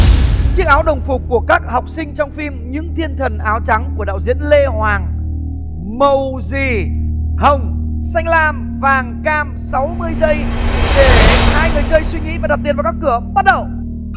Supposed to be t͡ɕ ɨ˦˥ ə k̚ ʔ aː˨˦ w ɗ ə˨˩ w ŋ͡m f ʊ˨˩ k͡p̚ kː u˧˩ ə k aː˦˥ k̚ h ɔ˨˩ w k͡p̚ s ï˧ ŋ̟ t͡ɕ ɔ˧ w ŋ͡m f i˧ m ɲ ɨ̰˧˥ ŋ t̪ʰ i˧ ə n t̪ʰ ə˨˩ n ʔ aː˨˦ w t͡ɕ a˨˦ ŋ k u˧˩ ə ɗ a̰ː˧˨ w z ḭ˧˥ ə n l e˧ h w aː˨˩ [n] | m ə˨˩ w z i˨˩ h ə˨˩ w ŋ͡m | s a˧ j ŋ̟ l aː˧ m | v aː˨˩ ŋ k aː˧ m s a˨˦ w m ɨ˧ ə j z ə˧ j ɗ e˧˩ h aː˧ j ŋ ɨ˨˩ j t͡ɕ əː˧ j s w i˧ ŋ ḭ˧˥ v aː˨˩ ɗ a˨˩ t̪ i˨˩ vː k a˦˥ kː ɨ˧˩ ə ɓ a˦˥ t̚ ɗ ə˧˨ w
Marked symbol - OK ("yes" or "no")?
no